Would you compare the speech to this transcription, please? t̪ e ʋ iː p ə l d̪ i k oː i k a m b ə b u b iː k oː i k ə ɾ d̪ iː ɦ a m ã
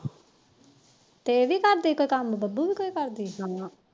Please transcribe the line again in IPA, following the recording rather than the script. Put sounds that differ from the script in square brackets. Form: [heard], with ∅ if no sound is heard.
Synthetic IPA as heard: t̪ e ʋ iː [k] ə [ɾ] d̪ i k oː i k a m b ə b u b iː k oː i k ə ɾ d̪ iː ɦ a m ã